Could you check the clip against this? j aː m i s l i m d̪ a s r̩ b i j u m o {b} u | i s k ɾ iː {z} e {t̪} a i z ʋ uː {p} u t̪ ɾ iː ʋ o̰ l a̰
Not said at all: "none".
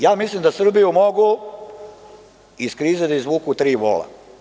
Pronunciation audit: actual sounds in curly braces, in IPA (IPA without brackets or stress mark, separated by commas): ɡ, z, d̪, k